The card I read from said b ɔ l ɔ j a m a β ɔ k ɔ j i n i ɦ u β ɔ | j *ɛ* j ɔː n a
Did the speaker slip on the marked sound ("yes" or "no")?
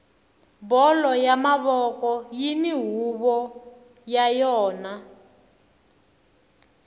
yes